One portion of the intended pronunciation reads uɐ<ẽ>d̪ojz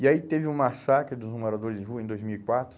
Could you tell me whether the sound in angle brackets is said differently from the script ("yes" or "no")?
no